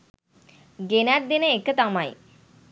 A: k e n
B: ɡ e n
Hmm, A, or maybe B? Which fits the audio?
B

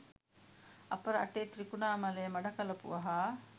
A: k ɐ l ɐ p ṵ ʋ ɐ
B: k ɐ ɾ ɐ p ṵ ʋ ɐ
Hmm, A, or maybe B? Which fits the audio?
A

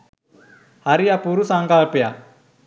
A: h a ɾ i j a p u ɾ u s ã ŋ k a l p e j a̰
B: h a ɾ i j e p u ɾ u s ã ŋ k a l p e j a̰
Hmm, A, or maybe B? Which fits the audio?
A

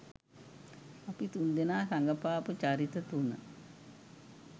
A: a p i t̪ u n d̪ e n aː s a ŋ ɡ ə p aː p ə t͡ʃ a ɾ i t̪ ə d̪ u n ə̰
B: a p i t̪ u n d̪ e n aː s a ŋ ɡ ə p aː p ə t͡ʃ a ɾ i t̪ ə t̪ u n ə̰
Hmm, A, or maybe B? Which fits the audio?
B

